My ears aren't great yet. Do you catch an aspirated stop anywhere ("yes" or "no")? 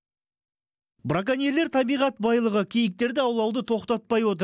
yes